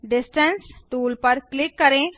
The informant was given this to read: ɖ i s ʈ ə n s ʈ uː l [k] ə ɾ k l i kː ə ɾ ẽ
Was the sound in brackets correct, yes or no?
no